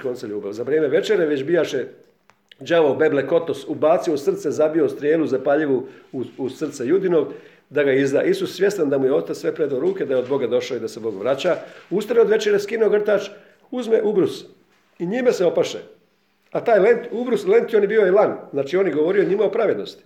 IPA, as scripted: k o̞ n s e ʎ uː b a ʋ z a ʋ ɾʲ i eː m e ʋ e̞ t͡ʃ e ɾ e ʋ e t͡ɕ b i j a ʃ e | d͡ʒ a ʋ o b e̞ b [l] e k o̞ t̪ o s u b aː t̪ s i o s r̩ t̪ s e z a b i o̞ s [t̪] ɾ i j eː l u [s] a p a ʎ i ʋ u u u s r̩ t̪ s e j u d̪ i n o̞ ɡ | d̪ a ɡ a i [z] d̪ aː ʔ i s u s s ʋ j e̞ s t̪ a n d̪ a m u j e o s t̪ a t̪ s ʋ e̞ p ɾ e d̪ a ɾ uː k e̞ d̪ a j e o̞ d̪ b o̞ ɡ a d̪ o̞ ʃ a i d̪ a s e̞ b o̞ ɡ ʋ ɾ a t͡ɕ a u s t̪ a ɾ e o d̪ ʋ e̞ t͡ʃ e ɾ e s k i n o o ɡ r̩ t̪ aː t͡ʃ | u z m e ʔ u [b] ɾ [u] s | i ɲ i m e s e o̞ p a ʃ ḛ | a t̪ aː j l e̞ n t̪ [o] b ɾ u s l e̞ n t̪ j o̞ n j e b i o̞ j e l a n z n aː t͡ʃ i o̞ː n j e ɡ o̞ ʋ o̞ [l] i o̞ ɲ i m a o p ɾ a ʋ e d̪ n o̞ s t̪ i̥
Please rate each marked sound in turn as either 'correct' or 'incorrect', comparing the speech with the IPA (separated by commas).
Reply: correct, correct, incorrect, correct, correct, correct, incorrect, incorrect